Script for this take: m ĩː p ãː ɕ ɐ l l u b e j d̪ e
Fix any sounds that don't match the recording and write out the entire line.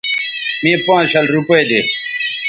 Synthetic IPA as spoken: m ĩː p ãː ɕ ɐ l ɾ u p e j d̪ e